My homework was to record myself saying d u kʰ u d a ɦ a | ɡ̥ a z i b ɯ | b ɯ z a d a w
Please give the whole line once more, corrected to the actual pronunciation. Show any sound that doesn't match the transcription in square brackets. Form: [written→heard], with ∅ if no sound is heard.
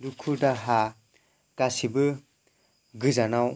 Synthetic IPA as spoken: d u kʰ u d a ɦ a | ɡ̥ a [z→s] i b ɯ | [b→ɡ] ɯ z a [d→n] a w

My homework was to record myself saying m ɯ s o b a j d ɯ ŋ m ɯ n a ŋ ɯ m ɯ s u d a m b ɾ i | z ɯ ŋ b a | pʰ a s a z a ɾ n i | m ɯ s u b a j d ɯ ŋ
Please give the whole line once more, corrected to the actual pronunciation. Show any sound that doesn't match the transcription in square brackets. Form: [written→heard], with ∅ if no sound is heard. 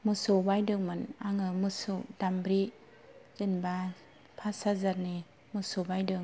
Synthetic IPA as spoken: m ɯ s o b a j d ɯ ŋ m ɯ n a ŋ ɯ m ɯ s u d a m b ɾ i | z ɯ [ŋ→n] b a | pʰ a s a z a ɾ n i | m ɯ s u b a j d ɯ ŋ

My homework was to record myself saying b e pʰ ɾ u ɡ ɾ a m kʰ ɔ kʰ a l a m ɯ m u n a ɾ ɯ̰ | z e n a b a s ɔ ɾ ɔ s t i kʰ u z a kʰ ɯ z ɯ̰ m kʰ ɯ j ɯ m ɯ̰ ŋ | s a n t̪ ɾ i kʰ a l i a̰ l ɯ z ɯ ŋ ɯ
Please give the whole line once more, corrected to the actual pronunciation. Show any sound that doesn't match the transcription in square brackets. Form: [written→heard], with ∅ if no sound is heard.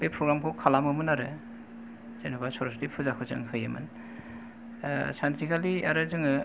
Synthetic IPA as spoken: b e pʰ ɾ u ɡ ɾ a m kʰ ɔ kʰ a l a m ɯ m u n a ɾ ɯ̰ | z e n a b a s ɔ ɾ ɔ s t i [kʰ→pʰ] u z a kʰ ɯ z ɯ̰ [m→ŋ] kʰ ɯ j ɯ m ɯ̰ [ŋ→n] | s a n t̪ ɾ i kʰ a l i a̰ [l→ɾ] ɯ z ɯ ŋ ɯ

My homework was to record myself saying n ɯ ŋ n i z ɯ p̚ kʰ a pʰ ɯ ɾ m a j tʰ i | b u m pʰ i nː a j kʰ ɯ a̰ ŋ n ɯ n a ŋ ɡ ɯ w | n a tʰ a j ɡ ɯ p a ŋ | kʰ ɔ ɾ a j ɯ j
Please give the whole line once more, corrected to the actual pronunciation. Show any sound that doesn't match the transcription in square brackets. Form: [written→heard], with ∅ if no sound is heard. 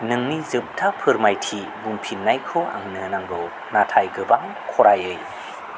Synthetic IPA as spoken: n ɯ ŋ n i z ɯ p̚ [kʰ→tʰ] a pʰ ɯ ɾ m a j tʰ i | b u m pʰ i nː a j kʰ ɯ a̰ ŋ n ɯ n a ŋ ɡ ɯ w | n a tʰ a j ɡ ɯ [p→b] a ŋ | kʰ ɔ ɾ a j ɯ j

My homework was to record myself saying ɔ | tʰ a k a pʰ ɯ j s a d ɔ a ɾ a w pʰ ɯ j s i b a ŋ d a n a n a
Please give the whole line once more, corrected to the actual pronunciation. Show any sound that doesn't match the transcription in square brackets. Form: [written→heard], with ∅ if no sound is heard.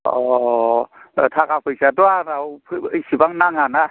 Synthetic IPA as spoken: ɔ | tʰ a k a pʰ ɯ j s a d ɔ a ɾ a w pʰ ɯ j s i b a ŋ [d→n] a [n→ŋ] a n a

